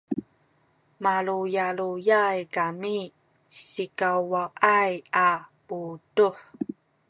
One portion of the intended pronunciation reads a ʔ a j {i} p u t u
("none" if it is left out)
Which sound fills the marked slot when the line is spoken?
a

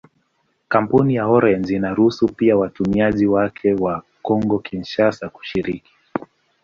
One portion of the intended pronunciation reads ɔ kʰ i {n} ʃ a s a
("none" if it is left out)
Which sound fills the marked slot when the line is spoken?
n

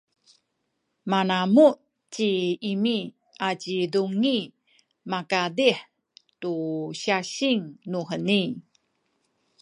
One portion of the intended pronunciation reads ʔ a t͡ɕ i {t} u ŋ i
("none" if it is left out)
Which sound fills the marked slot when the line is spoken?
d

